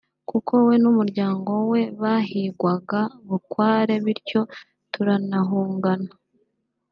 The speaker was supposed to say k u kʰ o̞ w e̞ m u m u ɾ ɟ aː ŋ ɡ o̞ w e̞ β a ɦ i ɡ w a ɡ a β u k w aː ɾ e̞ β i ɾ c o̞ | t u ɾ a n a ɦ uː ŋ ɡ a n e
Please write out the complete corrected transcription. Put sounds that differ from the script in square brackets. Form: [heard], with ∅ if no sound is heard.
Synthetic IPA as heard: k u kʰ o̞ w e̞ [n] u m u ɾ ɟ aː ŋ ɡ o̞ w e̞ β a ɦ i ɡ w a ɡ a β u k w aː ɾ e̞ β i ɾ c o̞ | t u ɾ a n a ɦ uː ŋ ɡ a n [a]